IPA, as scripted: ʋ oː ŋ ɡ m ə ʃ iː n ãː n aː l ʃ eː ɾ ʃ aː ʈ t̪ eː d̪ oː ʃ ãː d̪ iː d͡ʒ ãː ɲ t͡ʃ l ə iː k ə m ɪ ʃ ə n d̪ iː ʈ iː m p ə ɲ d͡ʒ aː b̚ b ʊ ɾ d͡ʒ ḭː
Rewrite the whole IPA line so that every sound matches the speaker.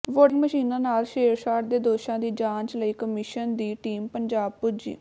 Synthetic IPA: ʋ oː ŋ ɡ m ə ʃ iː n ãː n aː l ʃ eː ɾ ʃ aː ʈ d̪ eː d̪ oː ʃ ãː d̪ iː d͡ʒ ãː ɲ t͡ʃ l ə iː k ə m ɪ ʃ ə n d̪ iː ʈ iː m p ə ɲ d͡ʒ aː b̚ p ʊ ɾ d͡ʒ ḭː